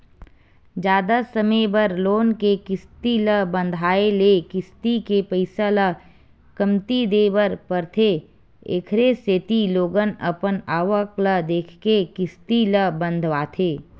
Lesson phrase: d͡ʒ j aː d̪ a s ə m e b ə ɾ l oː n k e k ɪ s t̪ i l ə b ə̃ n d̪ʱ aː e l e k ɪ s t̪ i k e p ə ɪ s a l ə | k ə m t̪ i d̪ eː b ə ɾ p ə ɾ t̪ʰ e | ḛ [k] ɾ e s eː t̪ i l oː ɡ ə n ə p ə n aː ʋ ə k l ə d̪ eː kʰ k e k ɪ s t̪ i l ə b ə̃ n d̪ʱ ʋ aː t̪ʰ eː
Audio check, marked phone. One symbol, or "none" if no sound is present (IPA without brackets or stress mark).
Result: kʰ